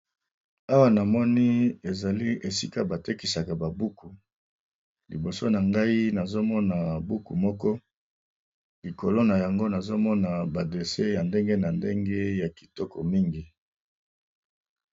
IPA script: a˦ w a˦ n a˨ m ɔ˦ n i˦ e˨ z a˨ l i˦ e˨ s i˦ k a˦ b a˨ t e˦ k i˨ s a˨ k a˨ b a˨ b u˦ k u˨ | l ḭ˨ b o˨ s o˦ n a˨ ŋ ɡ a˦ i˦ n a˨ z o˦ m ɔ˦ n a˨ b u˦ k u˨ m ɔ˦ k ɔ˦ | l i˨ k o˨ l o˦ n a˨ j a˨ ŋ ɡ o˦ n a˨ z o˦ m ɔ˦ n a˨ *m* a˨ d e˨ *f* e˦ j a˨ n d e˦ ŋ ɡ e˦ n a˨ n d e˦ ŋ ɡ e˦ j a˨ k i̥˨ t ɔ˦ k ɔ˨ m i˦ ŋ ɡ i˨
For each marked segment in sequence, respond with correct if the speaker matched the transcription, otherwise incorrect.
incorrect, incorrect

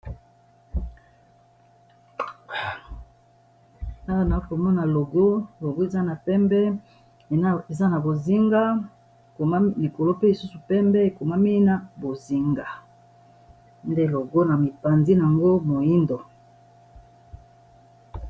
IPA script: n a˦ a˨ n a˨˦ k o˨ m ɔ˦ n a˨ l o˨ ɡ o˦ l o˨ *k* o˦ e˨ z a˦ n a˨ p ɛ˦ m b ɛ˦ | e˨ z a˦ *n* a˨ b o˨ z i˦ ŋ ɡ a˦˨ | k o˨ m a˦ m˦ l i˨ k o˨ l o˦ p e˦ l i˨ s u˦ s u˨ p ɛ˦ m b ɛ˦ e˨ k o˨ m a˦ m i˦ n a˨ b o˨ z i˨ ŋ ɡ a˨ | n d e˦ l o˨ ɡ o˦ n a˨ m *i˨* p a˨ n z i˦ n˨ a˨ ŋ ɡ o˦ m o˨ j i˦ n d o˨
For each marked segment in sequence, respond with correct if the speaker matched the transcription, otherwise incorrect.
incorrect, correct, correct

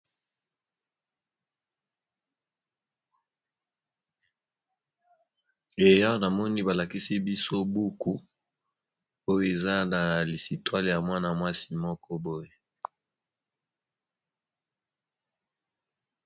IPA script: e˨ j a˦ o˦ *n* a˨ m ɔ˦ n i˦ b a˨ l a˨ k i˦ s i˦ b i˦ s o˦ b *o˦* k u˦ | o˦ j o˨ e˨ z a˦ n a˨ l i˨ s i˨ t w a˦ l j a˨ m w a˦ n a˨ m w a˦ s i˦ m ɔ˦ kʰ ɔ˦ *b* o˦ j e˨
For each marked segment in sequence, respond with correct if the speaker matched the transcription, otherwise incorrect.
correct, incorrect, correct

